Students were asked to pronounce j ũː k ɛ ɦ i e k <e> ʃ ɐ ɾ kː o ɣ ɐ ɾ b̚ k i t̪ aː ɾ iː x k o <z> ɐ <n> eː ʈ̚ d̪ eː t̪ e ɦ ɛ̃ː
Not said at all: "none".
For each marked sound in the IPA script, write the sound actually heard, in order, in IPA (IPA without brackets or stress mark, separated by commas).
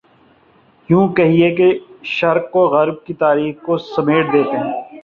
e, s, m